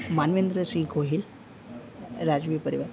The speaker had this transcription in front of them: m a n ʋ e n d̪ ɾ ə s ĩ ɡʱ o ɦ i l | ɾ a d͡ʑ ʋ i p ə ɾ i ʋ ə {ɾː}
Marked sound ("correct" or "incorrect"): incorrect